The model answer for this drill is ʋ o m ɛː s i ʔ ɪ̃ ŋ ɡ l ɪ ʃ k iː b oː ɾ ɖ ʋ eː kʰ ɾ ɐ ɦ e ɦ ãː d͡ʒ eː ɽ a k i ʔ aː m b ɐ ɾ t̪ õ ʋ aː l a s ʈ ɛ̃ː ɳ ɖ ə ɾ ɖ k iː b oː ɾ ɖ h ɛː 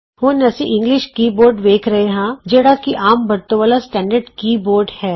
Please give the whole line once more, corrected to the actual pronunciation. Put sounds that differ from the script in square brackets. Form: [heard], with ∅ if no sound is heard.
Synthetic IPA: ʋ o [n] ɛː s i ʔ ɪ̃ ŋ ɡ l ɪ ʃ k iː b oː ɾ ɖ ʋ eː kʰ ɾ ɐ ɦ e ɦ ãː d͡ʒ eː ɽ a k i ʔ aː m b ɐ ɾ t̪ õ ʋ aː l a s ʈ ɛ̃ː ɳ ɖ ə ɾ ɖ k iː b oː ɾ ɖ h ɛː